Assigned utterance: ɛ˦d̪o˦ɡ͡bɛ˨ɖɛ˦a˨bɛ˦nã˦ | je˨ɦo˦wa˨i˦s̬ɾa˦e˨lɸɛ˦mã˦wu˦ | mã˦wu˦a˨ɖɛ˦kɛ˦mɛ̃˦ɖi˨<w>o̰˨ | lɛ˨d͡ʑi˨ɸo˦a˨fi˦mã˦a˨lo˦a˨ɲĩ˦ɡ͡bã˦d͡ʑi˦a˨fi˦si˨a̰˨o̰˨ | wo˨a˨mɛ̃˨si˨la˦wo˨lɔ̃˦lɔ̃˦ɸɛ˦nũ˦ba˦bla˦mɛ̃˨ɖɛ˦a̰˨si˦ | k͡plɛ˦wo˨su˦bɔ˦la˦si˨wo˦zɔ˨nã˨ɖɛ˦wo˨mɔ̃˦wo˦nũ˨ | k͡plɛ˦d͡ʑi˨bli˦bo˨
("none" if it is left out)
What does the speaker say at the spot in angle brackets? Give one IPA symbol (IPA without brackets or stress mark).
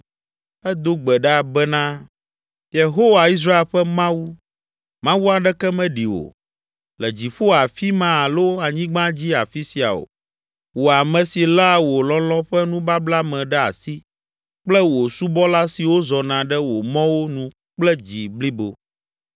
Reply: w